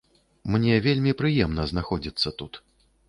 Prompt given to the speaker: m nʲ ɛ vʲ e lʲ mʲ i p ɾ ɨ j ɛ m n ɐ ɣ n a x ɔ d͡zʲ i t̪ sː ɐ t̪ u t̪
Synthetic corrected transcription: m nʲ ɛ vʲ e lʲ mʲ i p ɾ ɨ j ɛ m n ɐ z n a x ɔ d͡zʲ i t̪ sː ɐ t̪ u t̪